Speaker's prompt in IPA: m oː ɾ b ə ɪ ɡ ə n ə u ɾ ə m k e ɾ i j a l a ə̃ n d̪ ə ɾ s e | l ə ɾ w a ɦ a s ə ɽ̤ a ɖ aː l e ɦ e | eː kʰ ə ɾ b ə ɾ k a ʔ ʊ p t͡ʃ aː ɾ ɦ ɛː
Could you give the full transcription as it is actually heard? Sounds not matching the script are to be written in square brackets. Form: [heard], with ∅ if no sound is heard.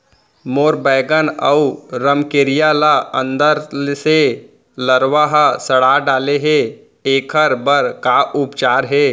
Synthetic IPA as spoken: m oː ɾ b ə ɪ ɡ ə n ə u ɾ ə m k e ɾ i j a l a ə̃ n d̪ ə ɾ s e | l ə ɾ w a ɦ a s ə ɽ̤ a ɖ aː l e ɦ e | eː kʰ ə ɾ b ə ɾ k a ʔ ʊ p t͡ʃ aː ɾ ɦ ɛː